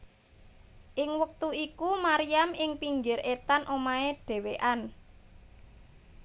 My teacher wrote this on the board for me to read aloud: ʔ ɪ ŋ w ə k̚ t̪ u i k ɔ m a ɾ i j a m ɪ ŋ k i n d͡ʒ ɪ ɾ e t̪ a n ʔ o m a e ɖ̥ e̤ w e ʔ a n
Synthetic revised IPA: ʔ ɪ ŋ w ə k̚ t̪ u i k u m a ɾ i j a m ɪ ŋ p i ŋ d͡ʒ ɪ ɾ e t̪ a n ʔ o m a e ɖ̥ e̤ w e ʔ a n